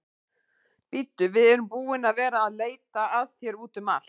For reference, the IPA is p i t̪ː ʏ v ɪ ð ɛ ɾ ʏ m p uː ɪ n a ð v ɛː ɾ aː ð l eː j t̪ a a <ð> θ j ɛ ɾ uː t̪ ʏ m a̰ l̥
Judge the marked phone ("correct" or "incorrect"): correct